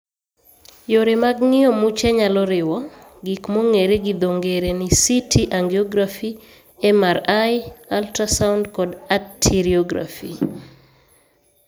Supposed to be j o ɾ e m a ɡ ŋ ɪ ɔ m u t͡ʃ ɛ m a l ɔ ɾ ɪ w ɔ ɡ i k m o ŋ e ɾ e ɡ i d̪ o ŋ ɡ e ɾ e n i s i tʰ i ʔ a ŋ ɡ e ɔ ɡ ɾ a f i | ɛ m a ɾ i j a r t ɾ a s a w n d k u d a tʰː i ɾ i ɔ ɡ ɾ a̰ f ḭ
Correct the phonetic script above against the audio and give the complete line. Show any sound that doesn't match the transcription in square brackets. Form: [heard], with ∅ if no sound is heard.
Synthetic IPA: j o ɾ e m a ɡ ŋ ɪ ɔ m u t͡ʃ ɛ [ɲ] a l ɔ ɾ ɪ w ɔ ɡ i k m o ŋ e ɾ e ɡ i d̪ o ŋ ɡ e ɾ e n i s i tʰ i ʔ a ŋ ɡ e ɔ ɡ ɾ a f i | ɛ m a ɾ [a] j a [l] t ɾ a s a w n d k [ɔ] d a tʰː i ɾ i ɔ ɡ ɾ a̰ f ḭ